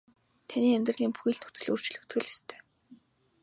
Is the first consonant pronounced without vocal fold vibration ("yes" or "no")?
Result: yes